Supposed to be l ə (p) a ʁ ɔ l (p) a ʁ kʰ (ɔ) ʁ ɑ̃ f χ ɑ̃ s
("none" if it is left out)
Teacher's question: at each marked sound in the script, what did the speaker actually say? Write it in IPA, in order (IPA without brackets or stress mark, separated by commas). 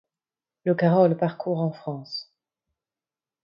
k, p, u